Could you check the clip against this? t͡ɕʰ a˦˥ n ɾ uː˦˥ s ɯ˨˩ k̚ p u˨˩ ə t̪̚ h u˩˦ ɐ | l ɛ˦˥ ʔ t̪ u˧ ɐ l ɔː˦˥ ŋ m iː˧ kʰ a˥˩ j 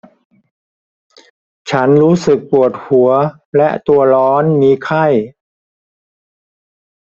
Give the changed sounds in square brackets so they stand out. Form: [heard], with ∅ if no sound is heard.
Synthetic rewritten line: t͡ɕʰ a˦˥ n ɾ uː˦˥ s ɯ˨˩ k̚ p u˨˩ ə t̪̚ h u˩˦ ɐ | l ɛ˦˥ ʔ t̪ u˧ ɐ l ɔː˦˥ [n] m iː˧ kʰ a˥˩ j